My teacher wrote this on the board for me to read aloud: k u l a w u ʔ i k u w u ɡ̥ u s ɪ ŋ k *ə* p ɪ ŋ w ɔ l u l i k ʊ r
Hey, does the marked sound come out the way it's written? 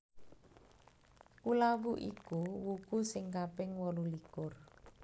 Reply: no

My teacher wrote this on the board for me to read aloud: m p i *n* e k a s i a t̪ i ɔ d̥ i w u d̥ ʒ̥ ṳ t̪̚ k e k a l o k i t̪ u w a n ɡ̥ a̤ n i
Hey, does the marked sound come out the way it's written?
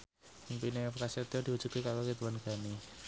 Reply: yes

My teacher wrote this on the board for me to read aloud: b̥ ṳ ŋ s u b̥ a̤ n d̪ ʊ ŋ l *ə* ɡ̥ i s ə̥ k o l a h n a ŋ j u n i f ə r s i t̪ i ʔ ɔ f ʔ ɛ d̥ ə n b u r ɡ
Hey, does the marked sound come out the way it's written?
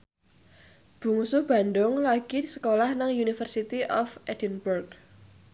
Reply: no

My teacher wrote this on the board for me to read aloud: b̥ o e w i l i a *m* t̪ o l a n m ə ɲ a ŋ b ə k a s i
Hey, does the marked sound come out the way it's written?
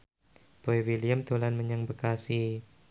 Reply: yes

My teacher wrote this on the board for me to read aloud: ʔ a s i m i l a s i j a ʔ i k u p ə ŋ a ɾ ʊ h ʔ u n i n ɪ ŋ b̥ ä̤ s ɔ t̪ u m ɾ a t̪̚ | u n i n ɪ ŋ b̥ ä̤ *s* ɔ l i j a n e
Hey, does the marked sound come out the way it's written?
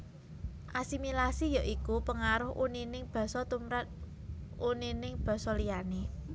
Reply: yes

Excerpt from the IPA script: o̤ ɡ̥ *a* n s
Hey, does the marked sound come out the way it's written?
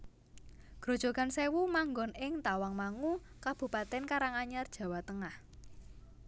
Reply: yes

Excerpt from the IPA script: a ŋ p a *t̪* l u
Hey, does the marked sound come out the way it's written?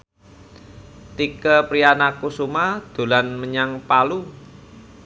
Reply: no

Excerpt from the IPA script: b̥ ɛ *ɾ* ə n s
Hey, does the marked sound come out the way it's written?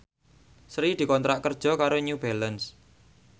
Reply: no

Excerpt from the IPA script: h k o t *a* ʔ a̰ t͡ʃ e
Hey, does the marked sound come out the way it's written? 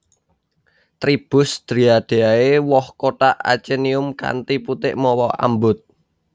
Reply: yes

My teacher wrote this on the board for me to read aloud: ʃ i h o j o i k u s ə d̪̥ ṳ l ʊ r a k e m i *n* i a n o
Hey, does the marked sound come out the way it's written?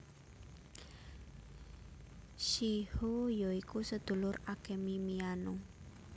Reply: no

